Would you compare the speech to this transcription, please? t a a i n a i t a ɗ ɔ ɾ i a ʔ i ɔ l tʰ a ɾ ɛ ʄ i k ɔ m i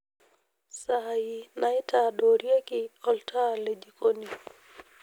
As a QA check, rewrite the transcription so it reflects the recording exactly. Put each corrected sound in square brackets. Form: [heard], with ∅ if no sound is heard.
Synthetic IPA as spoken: [s] a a i n a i t a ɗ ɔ ɾ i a [k] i ɔ l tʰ a [l] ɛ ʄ i k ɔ [n] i